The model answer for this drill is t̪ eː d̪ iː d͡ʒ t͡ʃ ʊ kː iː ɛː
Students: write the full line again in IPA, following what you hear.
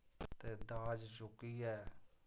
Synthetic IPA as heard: t̪ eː d̪ aː d͡ʒ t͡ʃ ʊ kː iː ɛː